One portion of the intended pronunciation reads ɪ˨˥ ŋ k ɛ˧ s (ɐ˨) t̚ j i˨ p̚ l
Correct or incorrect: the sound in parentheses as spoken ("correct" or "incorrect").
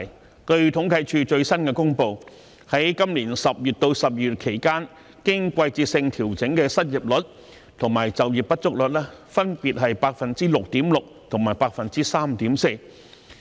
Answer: incorrect